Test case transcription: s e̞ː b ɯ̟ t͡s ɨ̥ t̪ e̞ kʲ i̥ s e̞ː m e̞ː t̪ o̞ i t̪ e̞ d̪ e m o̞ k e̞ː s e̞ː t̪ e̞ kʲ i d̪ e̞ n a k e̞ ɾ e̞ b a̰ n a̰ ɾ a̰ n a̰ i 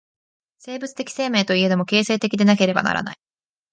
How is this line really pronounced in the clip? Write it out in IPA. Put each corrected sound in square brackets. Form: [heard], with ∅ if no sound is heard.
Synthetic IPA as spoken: s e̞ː b ɯ̟ t͡s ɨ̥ t̪ e̞ kʲ i̥ s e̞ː m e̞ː t̪ o̞ i [∅] e̞ d̪ e m o̞ k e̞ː s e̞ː t̪ e̞ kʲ i d̪ e̞ n a k e̞ ɾ e̞ b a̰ n a̰ ɾ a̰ n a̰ i